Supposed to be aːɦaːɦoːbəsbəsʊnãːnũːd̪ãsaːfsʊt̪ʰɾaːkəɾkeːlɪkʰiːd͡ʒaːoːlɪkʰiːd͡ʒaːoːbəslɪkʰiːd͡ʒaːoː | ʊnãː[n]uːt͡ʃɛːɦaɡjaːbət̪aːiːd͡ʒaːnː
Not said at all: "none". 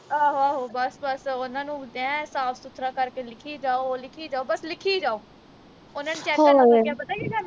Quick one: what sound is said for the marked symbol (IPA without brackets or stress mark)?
n